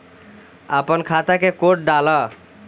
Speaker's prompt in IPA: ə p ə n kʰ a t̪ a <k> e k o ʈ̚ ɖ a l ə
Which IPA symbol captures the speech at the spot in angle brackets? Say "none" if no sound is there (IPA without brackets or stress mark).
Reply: k